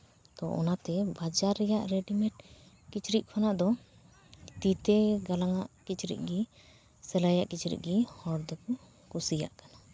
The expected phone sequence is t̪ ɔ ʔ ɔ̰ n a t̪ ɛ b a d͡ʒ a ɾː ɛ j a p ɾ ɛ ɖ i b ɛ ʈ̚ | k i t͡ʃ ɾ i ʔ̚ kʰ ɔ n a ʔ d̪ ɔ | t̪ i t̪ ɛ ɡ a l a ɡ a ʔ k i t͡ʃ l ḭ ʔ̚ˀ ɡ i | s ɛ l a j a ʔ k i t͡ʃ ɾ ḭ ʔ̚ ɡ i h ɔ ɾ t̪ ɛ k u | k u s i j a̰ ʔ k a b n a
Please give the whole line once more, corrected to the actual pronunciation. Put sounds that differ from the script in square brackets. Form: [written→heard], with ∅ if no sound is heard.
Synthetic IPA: t̪ ɔ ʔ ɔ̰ n a t̪ ɛ b a d͡ʒ a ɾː ɛ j a [p→ʔ] ɾ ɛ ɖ i [b→m] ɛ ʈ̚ | k i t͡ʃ ɾ i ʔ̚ kʰ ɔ n a ʔ d̪ ɔ | t̪ i t̪ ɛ ɡ a l a [ɡ→ŋ] a ʔ k i t͡ʃ [l→ɾ] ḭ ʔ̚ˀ ɡ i | s ɛ l a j a ʔ k i t͡ʃ ɾ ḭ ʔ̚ ɡ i h ɔ ɾ [t̪→d̪] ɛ k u | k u s i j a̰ ʔ k a [b→∅] n a